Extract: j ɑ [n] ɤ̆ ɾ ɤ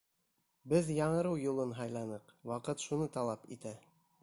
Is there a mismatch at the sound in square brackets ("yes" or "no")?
yes